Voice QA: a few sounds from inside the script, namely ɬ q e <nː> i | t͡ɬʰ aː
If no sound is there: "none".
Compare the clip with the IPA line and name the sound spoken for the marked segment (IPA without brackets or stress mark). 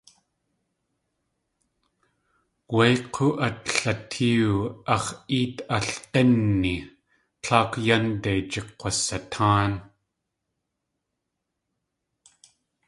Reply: nː